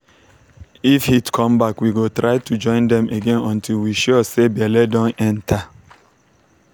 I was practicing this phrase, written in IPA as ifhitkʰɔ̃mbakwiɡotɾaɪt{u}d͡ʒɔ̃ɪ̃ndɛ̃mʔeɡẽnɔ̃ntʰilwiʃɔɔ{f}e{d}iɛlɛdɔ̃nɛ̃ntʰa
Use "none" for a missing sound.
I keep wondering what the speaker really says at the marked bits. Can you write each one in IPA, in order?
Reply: u, s, b

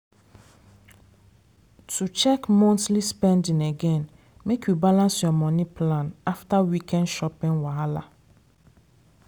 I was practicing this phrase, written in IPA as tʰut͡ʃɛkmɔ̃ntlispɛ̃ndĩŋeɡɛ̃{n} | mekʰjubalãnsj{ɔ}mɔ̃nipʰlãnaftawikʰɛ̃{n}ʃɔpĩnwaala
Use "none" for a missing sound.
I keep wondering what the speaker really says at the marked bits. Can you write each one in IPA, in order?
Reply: n, ɔ, n

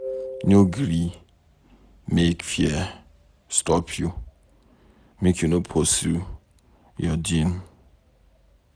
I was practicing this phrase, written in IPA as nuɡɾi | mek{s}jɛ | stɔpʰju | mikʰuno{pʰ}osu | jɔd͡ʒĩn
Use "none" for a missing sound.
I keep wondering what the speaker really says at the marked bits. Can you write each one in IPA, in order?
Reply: f, pʰ

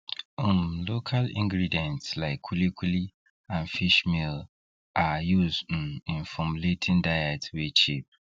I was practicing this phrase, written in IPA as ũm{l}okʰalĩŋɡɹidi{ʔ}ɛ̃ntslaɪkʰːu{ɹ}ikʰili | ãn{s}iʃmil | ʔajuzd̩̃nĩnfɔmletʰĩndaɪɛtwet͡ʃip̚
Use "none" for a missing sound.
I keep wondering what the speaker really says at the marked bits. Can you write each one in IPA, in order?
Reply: l, none, l, f

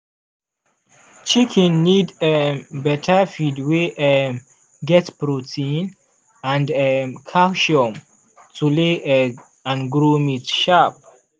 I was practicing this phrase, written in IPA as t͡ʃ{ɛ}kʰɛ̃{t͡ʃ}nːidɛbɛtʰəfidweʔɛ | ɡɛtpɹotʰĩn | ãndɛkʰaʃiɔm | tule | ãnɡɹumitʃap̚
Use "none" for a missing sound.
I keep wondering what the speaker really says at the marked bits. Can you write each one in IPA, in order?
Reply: i, none

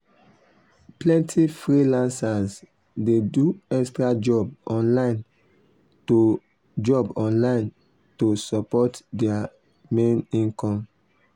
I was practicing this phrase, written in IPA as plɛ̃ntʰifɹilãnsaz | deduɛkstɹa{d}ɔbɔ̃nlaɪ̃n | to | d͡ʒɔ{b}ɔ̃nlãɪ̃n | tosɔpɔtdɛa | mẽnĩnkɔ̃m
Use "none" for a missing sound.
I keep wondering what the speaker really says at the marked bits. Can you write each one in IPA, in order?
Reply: d͡ʒ, b

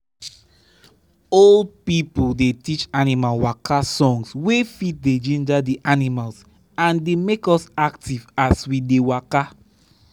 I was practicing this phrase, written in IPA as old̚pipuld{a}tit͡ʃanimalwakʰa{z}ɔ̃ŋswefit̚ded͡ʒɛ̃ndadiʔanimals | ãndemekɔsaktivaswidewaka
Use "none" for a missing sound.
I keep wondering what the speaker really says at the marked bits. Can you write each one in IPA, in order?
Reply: e, s

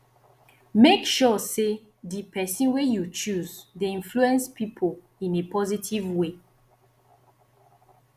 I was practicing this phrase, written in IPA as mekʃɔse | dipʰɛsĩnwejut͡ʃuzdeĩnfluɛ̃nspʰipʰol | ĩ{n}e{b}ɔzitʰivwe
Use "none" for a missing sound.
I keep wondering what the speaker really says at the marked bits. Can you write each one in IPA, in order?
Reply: n, p

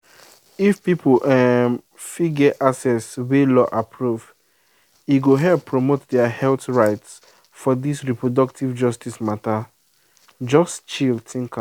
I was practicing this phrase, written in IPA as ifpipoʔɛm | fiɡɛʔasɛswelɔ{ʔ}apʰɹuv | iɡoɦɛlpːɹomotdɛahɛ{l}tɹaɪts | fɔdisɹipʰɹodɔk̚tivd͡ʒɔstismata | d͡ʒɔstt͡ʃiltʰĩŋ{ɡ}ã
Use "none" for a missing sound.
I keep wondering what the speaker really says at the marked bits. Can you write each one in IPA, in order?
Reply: ʔ, l, k

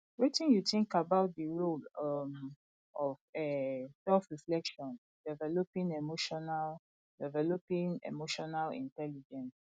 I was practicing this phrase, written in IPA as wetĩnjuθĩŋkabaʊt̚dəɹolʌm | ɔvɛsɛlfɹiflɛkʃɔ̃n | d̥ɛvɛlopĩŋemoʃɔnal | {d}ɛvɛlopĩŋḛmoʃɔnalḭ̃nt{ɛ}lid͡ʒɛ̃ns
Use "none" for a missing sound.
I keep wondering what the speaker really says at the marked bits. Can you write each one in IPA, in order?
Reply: d, ɛ

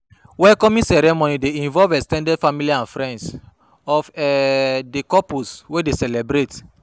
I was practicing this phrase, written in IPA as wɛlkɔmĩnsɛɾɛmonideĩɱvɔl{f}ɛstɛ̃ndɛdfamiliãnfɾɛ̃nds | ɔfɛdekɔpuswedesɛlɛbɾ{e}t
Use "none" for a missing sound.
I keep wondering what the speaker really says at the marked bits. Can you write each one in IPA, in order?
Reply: v, e

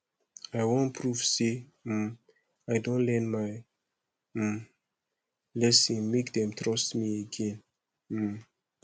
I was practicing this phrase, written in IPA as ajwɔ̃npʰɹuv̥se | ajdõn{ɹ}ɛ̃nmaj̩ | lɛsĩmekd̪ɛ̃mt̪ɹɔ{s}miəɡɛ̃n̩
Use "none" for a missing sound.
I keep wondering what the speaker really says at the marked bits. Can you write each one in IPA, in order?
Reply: l, s

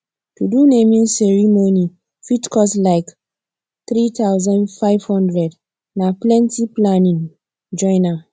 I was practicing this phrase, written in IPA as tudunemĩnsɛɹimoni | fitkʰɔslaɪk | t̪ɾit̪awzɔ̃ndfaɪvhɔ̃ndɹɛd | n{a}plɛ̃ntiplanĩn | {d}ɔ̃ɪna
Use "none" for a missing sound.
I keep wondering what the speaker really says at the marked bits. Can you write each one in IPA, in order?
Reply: a, d͡ʒ

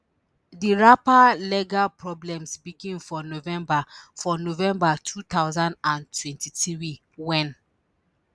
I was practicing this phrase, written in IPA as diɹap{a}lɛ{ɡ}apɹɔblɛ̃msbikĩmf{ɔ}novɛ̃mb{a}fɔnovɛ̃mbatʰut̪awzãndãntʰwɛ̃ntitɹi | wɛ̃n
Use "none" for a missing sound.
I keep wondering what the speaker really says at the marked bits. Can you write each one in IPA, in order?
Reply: a, ɡ, ɔ, a

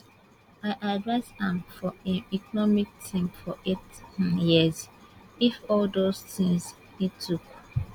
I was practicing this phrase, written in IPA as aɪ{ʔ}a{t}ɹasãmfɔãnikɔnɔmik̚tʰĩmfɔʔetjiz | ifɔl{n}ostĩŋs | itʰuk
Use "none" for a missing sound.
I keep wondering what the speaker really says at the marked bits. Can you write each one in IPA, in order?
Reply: ʔ, d, d

